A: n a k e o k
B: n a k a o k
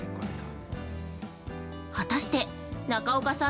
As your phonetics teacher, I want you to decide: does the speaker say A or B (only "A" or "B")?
B